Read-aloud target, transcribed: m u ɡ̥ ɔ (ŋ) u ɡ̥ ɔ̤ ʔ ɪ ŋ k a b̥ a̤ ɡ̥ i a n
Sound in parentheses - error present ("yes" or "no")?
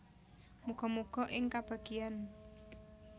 yes